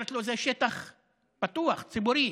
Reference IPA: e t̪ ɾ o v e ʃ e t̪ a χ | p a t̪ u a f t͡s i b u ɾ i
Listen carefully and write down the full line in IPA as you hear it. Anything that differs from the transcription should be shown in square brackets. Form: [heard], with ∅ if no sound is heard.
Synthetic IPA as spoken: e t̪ [l] o [z] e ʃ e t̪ a χ | p a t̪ u a [χ] t͡s i b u ɾ i